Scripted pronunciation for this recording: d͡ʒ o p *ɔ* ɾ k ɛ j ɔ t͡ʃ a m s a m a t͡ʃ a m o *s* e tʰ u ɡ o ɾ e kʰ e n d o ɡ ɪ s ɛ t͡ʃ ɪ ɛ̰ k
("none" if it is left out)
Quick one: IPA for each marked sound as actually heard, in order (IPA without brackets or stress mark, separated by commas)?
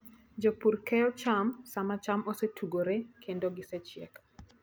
u, s